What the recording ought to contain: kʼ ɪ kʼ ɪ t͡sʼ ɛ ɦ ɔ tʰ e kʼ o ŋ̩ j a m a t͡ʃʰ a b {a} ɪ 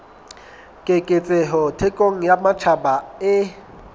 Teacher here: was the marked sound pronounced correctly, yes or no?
yes